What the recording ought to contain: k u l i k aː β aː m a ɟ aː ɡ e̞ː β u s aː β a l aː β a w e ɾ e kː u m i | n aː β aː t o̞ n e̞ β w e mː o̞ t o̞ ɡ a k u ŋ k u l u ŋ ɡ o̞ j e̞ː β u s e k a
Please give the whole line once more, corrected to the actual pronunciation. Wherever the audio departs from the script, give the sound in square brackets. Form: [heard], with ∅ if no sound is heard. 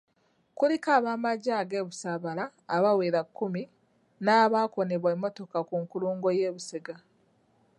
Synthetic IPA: k u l i k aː β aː m a ɟ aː ɡ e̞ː β u s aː β a l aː β a w e ɾ [a] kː u m i | n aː β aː [k] o̞ n e̞ β w e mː o̞ t o̞ [k] a k u ŋ k u l [uː] ŋ ɡ o̞ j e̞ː β u s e [ɡ] a